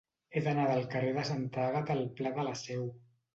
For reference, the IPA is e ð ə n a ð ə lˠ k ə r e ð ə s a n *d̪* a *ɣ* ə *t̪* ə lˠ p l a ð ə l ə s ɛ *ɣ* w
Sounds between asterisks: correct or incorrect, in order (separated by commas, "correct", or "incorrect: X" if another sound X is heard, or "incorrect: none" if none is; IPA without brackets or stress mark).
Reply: incorrect: t̪, correct, correct, incorrect: none